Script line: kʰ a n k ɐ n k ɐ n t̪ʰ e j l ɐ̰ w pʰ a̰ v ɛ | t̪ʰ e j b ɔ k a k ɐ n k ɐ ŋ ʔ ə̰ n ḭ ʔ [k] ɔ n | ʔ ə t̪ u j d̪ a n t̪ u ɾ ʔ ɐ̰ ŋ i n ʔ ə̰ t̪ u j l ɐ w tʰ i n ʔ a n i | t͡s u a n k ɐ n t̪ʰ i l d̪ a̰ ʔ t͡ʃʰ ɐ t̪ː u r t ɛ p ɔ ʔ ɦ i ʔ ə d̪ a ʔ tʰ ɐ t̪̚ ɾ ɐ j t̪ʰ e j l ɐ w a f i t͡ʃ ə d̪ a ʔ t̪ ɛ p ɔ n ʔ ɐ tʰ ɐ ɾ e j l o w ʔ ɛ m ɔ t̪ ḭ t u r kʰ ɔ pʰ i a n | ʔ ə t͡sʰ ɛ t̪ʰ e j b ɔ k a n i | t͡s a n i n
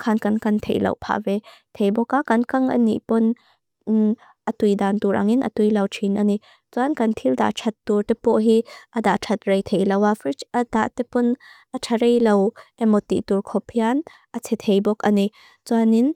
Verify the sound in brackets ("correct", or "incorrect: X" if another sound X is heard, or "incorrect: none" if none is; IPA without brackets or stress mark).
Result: incorrect: p